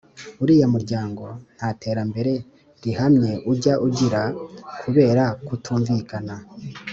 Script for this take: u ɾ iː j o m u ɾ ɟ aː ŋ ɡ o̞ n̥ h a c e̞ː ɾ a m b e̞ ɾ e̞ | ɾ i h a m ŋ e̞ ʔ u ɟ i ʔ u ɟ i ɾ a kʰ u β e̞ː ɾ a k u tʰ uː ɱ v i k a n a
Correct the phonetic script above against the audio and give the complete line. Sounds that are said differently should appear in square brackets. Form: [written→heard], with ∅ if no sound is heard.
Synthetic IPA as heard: u ɾ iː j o m u ɾ ɟ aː ŋ ɡ o̞ n̥ h a [c→t] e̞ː ɾ a m b e̞ ɾ e̞ | ɾ i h a m [ŋ→ɲ] e̞ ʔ u ɟ [i→a] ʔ u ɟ i ɾ a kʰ u β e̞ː ɾ a k u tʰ uː ɱ v i k a n a